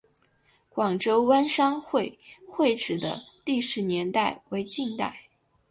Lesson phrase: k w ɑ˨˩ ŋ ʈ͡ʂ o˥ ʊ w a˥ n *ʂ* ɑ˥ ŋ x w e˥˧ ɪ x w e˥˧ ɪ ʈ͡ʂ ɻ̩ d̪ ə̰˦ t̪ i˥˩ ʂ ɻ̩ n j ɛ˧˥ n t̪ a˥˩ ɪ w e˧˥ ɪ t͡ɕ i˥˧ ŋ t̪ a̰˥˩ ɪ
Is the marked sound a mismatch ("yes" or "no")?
no